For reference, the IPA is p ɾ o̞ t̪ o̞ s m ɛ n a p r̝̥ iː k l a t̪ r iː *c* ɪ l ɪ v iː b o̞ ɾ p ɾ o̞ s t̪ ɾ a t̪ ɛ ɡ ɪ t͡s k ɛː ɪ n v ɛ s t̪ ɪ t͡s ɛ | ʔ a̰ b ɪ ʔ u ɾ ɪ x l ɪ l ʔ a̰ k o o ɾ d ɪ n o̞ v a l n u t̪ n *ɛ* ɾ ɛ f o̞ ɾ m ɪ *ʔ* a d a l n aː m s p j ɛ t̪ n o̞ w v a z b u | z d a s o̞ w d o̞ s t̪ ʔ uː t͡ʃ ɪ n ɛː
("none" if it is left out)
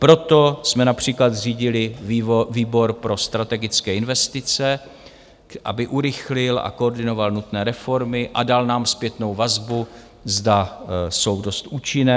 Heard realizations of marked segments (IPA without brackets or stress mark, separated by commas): ɟ, ɛː, ʔ